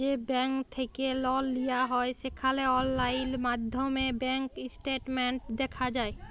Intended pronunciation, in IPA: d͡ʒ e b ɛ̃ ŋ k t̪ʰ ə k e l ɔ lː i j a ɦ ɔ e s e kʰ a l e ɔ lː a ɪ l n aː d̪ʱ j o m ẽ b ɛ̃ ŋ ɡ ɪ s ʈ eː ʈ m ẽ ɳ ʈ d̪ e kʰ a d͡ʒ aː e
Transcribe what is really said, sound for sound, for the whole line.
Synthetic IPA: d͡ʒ e b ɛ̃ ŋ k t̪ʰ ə k e l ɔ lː i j a ɦ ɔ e s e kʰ a l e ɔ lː a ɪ l m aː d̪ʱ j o m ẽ b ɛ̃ ŋ k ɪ s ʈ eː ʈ m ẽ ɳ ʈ d̪ e kʰ a d͡ʒ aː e

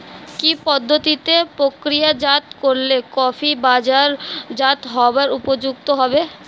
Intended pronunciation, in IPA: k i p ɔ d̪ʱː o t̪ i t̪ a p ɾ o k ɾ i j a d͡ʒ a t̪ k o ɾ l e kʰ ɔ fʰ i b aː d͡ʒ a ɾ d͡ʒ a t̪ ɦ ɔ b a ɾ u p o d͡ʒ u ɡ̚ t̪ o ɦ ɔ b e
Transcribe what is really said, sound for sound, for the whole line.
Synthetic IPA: k i p ɔ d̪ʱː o t̪ i t̪ e p ɾ o k ɾ i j a d͡ʒ a t̪ k o ɾ l e k ɔ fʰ i b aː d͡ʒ a ɾ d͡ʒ a t̪ ɦ ɔ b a ɾ u p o d͡ʒ u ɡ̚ t̪ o ɦ ɔ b e

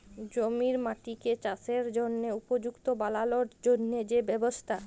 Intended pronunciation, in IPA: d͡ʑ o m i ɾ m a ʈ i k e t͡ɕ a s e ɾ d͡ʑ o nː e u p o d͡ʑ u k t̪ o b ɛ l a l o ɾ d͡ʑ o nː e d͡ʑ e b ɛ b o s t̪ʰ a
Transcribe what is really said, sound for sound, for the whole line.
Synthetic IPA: d͡ʑ o m i ɾ m a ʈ i k e t͡ɕ a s e ɾ d͡ʑ o nː e u p o d͡ʑ u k t̪ o b a l a l o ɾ d͡ʑ o nː e d͡ʑ e b ɛ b o s t̪ʰ a

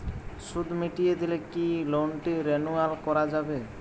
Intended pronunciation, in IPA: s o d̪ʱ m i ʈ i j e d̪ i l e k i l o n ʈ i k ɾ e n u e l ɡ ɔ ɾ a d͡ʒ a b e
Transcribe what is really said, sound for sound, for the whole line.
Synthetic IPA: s u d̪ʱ m i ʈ i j e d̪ i l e k i l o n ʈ i ɾ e n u a l k ɔ ɾ a d͡ʒ a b e

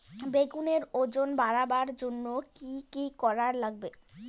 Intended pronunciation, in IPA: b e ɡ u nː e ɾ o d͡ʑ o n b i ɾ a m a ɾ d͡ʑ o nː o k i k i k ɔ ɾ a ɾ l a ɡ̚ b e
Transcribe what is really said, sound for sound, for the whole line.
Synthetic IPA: b e ɡ u n e ɾ o d͡ʑ o n b a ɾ a b a ɾ d͡ʑ o nː o k i k i k ɔ ɾ a ɾ l a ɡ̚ b e

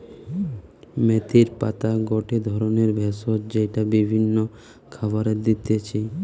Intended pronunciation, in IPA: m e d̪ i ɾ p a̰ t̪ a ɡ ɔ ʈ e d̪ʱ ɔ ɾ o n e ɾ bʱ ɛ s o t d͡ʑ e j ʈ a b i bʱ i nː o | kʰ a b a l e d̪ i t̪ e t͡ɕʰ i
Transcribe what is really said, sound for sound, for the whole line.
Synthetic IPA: m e t̪ i ɾ p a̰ t̪ a ɡ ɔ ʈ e d̪ʱ ɔ ɾ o n e ɾ bʱ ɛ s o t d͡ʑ e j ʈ a b i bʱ i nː o | kʰ a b a ɾ e d̪ i t̪ e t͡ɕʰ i

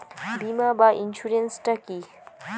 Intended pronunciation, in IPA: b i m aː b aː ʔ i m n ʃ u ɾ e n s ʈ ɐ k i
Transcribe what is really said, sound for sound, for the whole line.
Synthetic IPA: b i m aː b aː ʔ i n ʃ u ɾ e n s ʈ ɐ k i

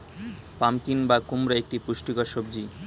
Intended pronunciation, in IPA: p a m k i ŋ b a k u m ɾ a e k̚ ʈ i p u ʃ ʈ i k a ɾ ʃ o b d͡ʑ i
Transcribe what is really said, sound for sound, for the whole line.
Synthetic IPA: p a m k i n b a k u m ɾ a e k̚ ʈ i p u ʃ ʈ i k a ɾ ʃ o b d͡ʑ i

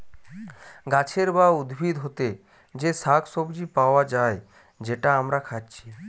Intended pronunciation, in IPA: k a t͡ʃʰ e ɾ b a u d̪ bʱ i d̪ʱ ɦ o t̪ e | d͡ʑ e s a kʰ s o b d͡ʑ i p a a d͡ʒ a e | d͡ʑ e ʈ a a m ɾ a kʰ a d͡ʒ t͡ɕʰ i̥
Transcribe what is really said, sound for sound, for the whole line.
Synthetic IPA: ɡ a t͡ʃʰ e ɾ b a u d̪ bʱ i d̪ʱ ɦ o t̪ e | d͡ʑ e s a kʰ s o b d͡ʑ i p a a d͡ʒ a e | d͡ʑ e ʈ a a m ɾ a kʰ a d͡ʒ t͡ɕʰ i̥

